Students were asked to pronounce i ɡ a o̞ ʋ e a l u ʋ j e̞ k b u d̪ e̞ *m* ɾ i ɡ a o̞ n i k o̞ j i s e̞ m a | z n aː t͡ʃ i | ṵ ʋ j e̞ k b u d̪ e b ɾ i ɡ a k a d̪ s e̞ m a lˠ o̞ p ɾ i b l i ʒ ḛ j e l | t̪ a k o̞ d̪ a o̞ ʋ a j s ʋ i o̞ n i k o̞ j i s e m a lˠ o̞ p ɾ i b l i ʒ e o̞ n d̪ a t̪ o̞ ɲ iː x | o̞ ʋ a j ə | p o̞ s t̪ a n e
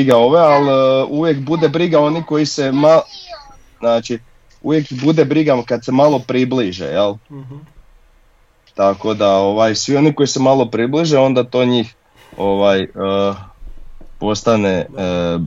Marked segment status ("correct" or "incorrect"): incorrect